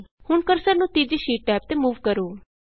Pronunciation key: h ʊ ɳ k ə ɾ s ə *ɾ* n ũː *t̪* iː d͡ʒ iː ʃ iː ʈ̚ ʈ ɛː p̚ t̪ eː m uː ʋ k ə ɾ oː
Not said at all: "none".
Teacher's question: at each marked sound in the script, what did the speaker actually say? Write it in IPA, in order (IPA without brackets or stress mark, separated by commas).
ɾ, t̪